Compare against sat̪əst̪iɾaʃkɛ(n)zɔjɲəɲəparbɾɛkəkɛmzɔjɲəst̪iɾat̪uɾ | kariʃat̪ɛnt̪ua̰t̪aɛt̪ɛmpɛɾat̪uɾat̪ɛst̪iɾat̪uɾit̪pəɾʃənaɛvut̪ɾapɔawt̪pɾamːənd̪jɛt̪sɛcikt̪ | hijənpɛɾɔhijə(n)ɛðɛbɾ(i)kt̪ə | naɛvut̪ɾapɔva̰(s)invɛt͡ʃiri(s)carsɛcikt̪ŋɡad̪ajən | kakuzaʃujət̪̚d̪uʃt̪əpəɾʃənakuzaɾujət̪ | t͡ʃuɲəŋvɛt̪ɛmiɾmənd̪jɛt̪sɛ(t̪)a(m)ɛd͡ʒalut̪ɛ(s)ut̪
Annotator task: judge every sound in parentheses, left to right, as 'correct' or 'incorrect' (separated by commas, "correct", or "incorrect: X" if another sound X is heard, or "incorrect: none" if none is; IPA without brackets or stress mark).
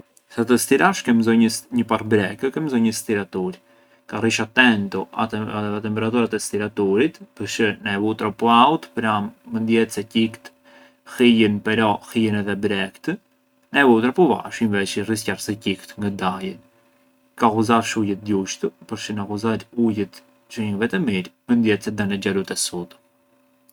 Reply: incorrect: m, correct, incorrect: ɛ, incorrect: ʃ, correct, incorrect: d̪, incorrect: n, correct